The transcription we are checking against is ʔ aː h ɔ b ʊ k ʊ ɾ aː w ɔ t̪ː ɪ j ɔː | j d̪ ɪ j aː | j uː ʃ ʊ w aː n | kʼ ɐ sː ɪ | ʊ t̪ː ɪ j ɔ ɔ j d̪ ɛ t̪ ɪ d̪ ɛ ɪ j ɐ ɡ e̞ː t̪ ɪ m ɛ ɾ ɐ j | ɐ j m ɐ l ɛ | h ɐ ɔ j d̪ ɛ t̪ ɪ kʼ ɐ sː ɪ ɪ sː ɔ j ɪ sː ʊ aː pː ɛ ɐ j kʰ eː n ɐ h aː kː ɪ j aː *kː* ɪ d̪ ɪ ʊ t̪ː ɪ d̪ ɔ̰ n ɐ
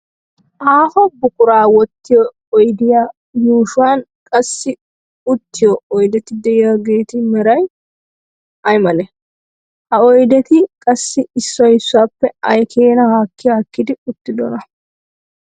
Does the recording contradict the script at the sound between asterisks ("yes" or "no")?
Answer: no